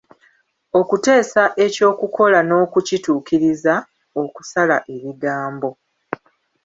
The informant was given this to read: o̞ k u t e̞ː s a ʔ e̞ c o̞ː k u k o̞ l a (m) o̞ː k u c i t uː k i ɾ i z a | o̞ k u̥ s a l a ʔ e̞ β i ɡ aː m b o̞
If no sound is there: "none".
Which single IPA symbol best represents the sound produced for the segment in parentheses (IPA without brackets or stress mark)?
n